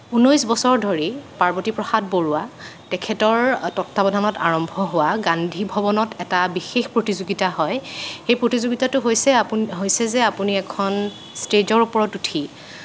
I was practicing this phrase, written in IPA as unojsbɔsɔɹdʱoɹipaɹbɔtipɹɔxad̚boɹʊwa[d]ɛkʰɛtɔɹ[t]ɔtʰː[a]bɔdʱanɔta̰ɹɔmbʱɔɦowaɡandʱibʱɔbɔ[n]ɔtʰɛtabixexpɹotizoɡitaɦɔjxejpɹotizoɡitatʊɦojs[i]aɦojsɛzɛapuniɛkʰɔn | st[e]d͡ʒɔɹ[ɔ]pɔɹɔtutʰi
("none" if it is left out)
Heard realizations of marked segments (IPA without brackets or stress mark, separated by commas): t, t, a, n, ɛ, e, u